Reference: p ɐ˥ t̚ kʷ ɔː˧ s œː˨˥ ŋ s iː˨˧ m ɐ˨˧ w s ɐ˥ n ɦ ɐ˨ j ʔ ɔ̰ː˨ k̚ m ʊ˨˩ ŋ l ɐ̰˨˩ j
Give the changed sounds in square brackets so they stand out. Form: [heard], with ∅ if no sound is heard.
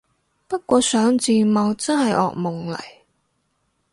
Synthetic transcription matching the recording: p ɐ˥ t̚ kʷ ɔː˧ s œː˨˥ ŋ [t͡s] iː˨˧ m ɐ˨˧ w [t͡s] ɐ˥ n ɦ ɐ˨ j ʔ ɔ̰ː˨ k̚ m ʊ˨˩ ŋ l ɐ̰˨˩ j